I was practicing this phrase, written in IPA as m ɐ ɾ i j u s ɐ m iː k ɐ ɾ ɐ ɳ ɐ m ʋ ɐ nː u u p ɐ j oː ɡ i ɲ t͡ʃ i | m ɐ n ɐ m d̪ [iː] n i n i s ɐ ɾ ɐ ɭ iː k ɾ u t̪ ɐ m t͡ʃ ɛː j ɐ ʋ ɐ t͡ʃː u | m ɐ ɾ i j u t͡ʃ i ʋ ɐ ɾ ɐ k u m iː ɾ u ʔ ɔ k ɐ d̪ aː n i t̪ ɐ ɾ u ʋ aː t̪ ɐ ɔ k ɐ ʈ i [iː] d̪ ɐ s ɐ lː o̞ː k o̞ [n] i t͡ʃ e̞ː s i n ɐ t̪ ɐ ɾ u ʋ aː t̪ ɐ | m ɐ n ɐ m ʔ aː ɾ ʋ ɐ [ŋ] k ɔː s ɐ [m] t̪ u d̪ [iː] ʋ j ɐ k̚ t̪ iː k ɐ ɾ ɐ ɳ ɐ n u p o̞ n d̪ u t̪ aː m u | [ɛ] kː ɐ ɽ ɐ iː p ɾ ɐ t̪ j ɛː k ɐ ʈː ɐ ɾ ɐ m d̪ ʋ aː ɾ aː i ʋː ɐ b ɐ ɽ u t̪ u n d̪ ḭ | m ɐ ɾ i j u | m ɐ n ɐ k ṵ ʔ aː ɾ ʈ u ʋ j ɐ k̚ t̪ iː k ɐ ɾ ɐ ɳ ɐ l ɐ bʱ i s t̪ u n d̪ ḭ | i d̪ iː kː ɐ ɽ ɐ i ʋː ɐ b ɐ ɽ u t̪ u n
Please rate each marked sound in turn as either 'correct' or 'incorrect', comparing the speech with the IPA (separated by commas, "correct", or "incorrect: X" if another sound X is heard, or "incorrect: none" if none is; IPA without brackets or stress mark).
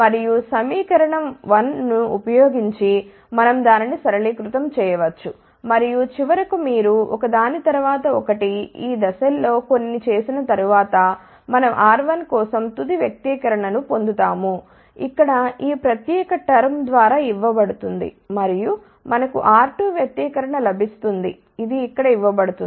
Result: incorrect: aː, correct, incorrect: nː, incorrect: n, correct, incorrect: i, incorrect: i